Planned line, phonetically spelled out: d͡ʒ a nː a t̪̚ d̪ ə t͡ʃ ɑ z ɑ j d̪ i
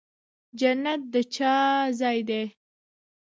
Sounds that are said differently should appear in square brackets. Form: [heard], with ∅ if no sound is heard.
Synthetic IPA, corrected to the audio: d͡ʒ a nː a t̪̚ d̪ ə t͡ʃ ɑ z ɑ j d̪ [e]